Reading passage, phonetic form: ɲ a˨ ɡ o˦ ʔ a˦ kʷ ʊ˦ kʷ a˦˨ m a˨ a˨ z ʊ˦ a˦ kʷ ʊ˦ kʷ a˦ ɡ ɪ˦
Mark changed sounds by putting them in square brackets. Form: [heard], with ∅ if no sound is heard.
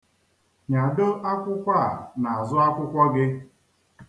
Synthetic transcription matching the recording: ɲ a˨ [d] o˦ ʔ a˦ kʷ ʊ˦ kʷ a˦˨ [n] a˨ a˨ z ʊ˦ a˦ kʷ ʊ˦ kʷ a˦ ɡ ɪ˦

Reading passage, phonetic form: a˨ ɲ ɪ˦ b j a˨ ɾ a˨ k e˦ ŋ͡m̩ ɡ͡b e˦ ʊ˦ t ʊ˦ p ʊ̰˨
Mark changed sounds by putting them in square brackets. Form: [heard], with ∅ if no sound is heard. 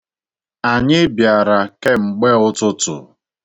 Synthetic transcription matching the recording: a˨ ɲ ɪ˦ b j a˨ ɾ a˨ k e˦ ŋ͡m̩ ɡ͡b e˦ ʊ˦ t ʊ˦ [t] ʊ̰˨

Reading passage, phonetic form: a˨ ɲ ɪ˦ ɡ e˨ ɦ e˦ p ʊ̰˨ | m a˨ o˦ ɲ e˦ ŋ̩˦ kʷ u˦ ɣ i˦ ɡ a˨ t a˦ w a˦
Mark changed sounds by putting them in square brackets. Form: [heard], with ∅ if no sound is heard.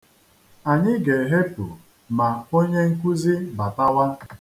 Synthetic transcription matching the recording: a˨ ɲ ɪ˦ ɡ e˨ ɦ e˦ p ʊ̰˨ | m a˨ o˦ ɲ e˦ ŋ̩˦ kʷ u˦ [z] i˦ [b] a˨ t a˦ w a˦

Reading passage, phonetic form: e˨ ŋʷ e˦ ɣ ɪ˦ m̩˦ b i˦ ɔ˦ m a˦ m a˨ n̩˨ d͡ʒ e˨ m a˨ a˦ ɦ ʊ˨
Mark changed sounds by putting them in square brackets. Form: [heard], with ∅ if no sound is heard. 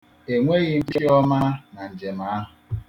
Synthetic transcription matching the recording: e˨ ŋʷ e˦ ɣ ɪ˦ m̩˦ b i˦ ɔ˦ m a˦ [n] a˨ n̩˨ d͡ʒ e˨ m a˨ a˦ ɦ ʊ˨

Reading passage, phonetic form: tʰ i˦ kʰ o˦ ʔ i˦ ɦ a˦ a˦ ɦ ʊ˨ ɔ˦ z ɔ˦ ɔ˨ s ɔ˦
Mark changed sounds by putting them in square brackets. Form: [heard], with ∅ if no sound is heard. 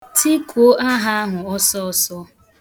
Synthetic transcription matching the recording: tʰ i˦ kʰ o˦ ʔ [a˦] ɦ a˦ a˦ ɦ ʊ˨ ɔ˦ [s] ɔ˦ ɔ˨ s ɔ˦

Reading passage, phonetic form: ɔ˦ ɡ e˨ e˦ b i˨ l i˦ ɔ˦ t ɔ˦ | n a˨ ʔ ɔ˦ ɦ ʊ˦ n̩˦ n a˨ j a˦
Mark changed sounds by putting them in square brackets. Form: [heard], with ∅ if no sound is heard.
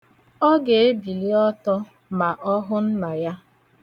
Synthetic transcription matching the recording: ɔ˦ ɡ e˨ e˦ b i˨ l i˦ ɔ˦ t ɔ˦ | [m] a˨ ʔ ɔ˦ ɦ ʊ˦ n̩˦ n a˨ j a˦

